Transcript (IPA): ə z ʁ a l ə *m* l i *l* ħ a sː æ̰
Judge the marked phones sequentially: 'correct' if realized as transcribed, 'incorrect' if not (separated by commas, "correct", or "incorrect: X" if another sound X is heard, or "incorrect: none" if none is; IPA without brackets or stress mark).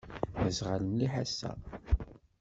incorrect: n, incorrect: none